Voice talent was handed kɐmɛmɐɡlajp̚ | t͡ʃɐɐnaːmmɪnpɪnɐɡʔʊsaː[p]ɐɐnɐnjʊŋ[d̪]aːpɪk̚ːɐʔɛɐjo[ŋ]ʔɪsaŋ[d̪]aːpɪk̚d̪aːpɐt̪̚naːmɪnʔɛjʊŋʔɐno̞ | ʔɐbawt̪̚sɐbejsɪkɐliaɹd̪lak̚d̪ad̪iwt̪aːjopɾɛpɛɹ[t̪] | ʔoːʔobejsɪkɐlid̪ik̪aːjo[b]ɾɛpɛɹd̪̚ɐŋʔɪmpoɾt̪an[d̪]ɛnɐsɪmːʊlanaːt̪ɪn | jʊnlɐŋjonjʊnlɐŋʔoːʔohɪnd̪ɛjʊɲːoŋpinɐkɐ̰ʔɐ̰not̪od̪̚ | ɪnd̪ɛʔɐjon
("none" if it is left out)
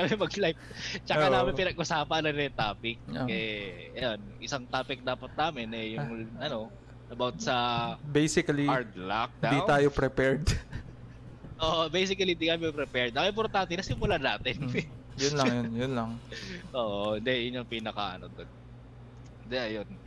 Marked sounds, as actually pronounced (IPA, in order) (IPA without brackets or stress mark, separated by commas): p, t̪, n, t̪, d̪, p, t̪